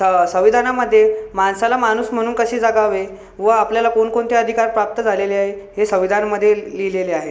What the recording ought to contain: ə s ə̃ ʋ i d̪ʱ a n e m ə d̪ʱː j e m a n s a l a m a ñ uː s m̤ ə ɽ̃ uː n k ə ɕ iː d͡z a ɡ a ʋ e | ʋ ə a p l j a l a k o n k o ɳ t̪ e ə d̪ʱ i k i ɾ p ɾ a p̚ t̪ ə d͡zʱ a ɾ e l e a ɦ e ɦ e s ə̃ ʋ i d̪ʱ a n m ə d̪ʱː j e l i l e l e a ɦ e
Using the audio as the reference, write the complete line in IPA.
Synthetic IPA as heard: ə s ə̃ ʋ i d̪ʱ a n a m ə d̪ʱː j e m a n s a l a m a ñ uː s m̤ ə ɽ̃ uː n k ə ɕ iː d͡z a ɡ a ʋ e | ʋ ə a p l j a l a k o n k o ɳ t̪ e ə d̪ʱ i k a ɾ p ɾ a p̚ t̪ ə d͡zʱ a l e l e a ɦ e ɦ e s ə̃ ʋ i d̪ʱ a n m ə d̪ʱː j e l i l e l e a ɦ e